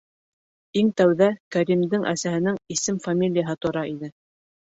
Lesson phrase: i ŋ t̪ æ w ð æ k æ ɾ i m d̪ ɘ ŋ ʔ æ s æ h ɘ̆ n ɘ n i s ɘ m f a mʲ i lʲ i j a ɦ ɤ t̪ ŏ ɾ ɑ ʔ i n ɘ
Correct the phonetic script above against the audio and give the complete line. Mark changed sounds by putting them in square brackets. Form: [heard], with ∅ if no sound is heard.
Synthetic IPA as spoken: i ŋ t̪ æ w ð æ k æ ɾ i m d̪ ɘ ŋ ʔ æ s æ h ɘ̆ n ɘ [ŋ] i s ɘ m f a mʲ i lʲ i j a ɦ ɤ t̪ ŏ ɾ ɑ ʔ i n ɘ